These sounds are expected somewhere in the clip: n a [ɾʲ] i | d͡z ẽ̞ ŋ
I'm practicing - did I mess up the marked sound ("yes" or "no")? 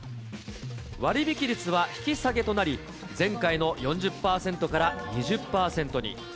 no